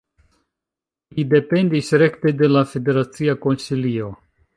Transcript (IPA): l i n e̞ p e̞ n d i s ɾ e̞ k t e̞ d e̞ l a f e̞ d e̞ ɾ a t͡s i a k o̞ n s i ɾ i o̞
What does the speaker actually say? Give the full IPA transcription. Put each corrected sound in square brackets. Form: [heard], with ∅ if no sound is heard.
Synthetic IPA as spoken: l i [d] e̞ p e̞ n d i s ɾ e̞ k t e̞ d e̞ l a f e̞ d e̞ ɾ a t͡s i a k o̞ n s i [l] i o̞